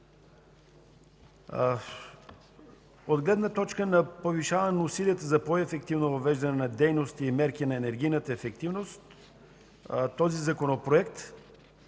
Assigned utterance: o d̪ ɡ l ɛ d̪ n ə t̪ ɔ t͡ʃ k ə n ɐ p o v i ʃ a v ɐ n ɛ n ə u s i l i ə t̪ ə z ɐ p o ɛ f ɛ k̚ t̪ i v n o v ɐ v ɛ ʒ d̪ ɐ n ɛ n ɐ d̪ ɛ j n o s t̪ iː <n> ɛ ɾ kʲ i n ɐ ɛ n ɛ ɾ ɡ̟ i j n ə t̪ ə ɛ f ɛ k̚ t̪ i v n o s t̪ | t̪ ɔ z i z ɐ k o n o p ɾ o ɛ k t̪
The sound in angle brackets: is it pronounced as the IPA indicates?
no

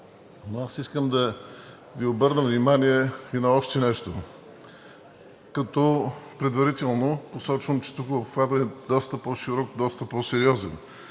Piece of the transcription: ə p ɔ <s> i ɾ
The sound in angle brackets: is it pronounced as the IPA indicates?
no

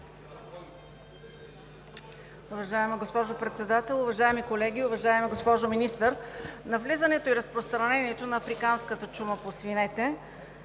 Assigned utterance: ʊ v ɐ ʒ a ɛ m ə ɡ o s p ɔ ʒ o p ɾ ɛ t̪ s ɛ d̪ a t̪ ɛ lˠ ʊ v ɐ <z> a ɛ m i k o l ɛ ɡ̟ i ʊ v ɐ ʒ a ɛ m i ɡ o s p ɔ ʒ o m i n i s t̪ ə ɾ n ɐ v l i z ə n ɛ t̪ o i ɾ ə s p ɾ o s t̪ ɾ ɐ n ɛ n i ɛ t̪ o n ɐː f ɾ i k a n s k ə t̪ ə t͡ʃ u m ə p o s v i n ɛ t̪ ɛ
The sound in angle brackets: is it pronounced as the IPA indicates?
no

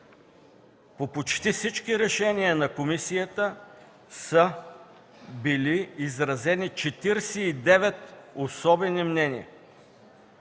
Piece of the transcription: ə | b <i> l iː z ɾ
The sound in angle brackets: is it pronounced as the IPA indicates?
yes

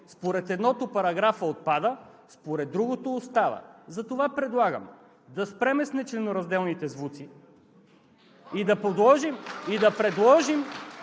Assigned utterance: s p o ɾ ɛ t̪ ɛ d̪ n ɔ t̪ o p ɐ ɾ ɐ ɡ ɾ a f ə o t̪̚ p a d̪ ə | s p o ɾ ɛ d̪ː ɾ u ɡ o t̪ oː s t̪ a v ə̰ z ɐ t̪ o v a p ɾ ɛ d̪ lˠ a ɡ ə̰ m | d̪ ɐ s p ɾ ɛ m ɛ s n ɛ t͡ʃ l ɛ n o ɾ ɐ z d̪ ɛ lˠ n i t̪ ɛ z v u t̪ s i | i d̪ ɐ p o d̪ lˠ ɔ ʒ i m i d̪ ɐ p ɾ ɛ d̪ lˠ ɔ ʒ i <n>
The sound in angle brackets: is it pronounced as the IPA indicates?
no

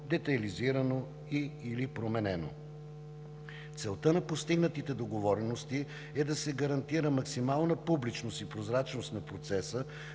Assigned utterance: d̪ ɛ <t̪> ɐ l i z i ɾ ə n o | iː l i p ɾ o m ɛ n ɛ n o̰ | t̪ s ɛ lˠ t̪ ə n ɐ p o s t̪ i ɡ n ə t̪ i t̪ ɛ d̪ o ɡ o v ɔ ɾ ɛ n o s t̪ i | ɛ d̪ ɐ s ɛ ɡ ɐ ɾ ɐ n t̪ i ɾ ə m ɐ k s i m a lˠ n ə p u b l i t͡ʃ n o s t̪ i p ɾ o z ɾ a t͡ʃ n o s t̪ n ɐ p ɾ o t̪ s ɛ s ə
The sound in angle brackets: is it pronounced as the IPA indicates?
yes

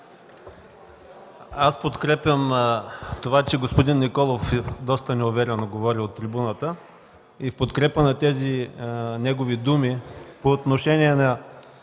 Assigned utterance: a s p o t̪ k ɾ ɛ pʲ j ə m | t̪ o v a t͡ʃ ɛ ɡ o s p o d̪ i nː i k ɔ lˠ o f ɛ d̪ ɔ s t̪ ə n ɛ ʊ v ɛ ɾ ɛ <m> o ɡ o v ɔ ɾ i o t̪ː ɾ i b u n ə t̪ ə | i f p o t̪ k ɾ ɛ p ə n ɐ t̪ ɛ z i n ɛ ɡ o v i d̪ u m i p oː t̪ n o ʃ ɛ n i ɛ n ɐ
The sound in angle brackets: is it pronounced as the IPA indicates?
no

